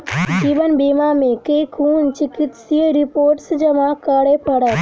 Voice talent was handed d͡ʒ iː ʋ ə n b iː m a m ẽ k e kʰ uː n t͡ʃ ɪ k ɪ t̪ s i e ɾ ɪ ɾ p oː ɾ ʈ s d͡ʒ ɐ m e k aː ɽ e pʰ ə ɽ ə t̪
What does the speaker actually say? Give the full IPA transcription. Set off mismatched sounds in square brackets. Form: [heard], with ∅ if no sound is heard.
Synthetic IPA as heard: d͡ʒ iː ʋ ə n b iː m a m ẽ k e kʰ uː n t͡ʃ ɪ k ɪ t̪ s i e ɾ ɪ [∅] p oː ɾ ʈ s d͡ʒ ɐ m [a] k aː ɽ e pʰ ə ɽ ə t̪